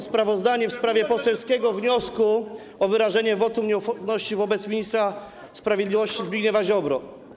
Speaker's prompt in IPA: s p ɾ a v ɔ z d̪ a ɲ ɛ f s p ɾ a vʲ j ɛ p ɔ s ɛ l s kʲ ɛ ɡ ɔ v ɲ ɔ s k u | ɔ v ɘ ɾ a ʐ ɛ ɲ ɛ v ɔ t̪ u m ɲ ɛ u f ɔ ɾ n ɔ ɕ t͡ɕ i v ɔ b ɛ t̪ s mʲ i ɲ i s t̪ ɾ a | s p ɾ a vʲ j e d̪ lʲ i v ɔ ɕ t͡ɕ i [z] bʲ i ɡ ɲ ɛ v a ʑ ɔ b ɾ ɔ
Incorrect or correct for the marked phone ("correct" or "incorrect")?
correct